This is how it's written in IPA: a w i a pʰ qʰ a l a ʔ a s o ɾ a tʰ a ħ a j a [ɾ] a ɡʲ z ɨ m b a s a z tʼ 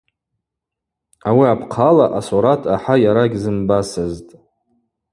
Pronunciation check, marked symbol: correct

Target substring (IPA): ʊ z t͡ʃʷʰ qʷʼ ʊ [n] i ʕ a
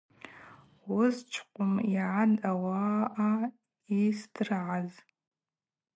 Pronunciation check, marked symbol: incorrect: m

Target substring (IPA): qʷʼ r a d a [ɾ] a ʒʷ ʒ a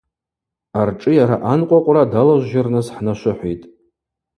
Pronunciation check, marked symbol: incorrect: l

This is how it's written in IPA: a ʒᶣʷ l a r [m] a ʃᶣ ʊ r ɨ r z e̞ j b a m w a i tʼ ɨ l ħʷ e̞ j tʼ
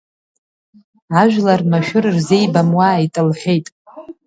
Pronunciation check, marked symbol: correct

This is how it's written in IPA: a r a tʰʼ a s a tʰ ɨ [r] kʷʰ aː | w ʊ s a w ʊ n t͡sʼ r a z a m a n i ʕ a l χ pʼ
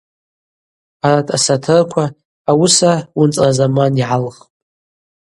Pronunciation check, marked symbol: correct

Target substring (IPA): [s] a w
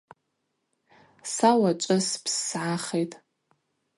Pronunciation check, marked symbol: correct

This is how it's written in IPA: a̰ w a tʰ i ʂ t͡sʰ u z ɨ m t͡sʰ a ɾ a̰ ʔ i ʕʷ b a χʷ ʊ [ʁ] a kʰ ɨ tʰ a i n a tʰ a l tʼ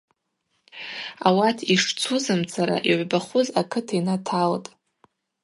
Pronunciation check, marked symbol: incorrect: z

